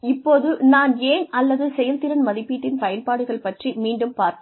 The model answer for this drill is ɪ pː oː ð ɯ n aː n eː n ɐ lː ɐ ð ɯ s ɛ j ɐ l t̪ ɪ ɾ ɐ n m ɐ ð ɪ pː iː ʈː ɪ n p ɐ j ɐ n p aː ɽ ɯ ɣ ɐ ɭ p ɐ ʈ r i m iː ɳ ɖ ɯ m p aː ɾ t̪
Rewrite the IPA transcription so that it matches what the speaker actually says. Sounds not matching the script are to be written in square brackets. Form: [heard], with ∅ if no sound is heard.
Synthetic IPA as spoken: ɪ pː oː ð ɯ n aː n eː n ɐ lː ɐ ð ɯ s ɛ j ɐ l t̪ ɪ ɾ ɐ n m ɐ ð ɪ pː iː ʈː ɪ n p ɐ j ɐ n p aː ɽ ɯ ɣ ɐ ɭ p ɐ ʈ r i m iː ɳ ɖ ɯ m p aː ɾ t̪